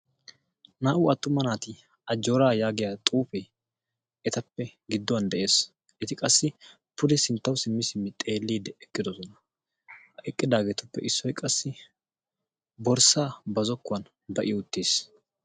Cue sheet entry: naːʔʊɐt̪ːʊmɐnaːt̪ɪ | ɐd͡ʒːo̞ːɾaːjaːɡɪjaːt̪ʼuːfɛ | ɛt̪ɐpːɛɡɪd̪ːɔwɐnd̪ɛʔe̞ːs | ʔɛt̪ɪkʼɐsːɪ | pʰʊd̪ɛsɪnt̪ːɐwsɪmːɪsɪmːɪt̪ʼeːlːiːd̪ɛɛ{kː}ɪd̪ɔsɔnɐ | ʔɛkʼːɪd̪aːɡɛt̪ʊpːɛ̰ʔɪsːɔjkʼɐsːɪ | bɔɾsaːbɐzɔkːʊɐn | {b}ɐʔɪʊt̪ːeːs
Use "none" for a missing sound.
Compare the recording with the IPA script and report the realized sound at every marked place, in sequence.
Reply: kː, b

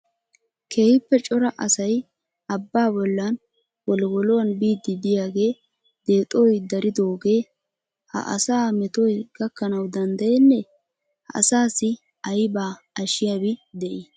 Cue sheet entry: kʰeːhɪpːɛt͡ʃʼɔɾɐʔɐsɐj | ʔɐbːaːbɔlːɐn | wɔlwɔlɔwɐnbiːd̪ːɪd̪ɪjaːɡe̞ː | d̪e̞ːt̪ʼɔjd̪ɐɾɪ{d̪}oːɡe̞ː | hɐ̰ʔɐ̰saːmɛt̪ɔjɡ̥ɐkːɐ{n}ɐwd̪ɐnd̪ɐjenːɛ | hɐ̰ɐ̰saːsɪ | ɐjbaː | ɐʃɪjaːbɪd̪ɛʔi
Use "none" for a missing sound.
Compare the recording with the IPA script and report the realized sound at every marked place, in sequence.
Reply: d̪, n

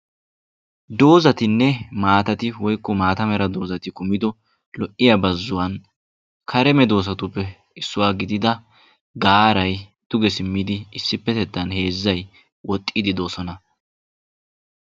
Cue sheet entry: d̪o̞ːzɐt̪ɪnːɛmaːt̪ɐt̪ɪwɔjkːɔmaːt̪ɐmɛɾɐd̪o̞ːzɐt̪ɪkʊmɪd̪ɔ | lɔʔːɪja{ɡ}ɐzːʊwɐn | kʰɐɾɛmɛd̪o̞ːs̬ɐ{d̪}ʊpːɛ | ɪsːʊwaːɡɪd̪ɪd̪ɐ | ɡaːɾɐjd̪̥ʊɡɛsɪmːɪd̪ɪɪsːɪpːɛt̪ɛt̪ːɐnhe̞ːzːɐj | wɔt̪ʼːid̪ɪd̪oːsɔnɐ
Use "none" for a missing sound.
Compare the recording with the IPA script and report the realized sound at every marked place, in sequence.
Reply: b, t̪

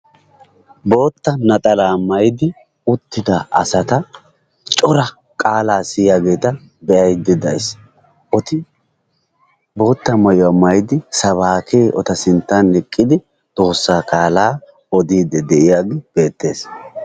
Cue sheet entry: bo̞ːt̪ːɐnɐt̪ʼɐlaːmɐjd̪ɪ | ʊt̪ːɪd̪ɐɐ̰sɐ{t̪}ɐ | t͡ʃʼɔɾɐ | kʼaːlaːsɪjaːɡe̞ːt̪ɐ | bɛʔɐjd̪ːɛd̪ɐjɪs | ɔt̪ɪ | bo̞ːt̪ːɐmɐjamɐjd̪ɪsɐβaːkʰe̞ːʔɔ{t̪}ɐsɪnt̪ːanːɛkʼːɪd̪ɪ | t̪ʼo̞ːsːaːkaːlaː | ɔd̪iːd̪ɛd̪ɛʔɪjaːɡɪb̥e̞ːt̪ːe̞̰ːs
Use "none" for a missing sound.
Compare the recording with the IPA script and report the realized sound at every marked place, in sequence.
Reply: t̪, t̪

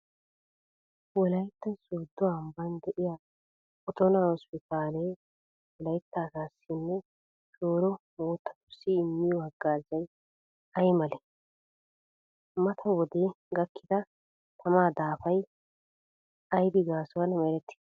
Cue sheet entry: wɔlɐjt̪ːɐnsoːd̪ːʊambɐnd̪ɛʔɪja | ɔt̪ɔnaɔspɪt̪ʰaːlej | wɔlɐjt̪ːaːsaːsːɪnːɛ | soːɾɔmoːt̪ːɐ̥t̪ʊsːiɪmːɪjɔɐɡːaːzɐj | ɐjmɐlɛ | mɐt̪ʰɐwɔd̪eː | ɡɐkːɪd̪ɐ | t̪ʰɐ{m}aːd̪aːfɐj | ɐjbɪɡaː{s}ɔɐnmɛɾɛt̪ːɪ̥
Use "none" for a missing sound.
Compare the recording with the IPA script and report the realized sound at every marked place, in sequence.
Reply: m, s

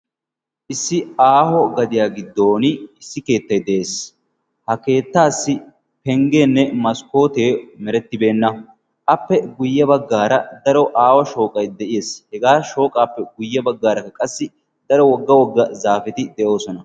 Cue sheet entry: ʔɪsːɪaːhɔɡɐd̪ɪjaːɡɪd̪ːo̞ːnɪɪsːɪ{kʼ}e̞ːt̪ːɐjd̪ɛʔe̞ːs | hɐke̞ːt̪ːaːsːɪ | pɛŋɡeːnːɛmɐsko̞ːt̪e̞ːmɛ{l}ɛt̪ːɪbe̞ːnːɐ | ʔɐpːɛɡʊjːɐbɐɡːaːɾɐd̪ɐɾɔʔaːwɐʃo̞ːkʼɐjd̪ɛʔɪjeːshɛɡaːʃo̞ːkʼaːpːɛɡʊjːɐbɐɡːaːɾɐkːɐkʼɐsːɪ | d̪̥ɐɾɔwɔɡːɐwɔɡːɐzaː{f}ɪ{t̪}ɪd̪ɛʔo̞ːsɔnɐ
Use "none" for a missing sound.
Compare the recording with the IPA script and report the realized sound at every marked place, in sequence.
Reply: k, ɾ, f, t̪

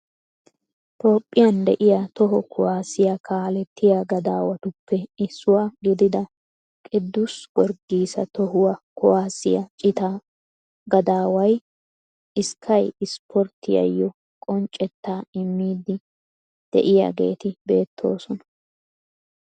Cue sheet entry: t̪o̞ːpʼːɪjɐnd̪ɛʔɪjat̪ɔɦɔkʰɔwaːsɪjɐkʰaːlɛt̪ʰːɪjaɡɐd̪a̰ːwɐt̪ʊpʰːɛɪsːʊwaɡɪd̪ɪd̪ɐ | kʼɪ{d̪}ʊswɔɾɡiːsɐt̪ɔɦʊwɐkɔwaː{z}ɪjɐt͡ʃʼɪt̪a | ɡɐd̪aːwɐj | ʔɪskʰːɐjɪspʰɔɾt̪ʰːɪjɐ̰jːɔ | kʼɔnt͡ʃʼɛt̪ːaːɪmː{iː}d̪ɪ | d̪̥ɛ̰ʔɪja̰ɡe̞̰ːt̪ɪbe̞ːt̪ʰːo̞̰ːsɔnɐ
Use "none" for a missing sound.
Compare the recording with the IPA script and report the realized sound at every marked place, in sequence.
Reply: d̪ː, s, iː

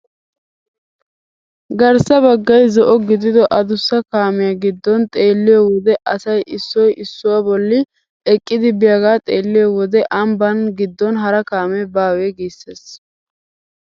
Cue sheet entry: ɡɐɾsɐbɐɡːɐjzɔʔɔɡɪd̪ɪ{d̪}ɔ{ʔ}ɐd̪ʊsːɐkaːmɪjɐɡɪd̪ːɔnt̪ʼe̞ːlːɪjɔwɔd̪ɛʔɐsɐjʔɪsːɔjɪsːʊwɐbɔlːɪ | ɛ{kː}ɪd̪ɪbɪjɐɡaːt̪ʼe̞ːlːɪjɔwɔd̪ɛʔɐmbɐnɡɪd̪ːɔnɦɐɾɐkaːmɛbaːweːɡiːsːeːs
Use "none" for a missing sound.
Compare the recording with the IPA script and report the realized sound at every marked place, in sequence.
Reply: d̪, ʔ, kʼː

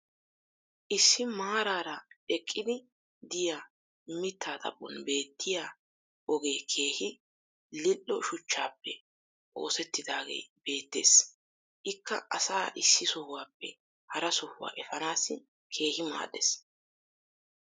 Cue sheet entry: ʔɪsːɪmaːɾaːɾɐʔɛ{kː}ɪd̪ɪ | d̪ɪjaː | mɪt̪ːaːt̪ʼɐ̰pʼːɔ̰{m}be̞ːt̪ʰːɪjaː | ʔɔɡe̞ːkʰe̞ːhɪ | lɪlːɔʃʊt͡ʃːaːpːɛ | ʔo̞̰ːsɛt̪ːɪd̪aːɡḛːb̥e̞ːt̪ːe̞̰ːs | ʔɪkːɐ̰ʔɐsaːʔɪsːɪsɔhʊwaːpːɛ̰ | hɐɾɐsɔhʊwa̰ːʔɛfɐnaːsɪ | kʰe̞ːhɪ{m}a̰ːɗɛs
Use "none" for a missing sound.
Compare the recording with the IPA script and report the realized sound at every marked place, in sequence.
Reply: kʼː, n, m

